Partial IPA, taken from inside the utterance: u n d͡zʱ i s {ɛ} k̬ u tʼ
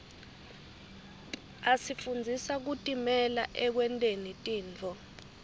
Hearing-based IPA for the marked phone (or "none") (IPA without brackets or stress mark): a